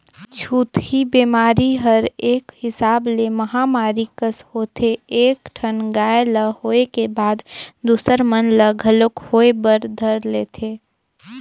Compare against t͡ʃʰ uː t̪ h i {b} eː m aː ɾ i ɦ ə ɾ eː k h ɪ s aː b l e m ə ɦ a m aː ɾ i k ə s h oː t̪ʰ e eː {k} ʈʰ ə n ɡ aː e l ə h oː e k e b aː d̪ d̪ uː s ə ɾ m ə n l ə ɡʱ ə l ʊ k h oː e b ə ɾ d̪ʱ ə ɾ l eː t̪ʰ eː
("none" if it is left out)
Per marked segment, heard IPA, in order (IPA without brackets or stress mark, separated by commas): b, k